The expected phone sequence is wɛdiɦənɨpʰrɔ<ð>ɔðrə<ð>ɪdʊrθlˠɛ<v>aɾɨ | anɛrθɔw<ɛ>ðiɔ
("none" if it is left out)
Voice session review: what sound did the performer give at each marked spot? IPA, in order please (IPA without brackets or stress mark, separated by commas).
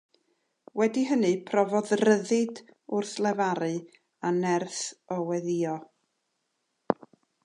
v, ð, v, ɛ